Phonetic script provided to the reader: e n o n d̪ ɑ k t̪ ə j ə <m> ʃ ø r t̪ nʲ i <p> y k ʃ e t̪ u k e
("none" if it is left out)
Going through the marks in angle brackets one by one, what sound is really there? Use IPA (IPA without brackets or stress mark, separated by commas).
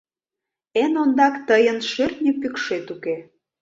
n, p